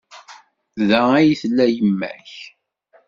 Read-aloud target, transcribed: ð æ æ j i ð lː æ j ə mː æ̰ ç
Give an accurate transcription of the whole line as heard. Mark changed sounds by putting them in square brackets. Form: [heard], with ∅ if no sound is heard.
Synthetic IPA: ð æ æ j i [θ] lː æ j ə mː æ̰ ç